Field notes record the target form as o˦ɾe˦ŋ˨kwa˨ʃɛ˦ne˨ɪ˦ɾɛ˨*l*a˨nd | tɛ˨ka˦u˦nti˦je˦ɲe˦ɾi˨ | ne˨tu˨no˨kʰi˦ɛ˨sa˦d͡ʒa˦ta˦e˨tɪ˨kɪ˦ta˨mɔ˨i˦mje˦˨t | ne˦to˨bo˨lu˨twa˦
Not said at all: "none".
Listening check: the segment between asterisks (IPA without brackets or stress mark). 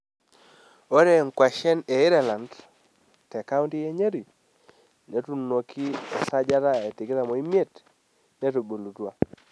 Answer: l